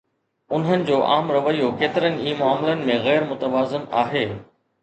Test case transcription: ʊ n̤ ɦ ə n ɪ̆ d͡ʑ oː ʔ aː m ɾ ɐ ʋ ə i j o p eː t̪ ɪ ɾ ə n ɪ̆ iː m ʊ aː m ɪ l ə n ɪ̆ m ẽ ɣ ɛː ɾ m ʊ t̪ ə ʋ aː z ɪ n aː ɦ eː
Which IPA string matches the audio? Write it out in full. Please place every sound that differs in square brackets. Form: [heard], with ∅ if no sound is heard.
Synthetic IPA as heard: ʊ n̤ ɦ ə n ɪ̆ d͡ʑ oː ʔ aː m ɾ ɐ ʋ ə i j o [k] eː t̪ ɪ ɾ ə n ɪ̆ iː m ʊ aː m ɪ l ə n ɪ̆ m ẽ ɣ ɛː ɾ m ʊ t̪ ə ʋ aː z ɪ n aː ɦ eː